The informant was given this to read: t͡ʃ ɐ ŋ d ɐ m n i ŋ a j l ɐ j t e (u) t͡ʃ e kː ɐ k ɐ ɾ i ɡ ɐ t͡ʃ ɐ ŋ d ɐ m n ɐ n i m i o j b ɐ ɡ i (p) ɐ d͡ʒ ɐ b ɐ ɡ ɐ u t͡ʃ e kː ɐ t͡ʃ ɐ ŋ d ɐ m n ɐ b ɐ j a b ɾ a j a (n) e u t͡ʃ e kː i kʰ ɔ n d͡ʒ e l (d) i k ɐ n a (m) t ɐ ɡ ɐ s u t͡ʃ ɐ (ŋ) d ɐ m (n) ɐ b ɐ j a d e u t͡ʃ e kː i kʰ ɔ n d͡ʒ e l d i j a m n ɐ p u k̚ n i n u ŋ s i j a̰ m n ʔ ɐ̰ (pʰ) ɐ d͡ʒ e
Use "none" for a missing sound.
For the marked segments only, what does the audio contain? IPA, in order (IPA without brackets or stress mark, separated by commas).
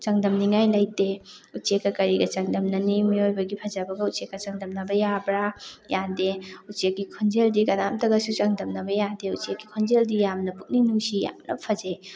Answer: u, pʰ, d, d, m, ŋ, n, pʰ